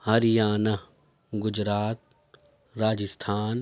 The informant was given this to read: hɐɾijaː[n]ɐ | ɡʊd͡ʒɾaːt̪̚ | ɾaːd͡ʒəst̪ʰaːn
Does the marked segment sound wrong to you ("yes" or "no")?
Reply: no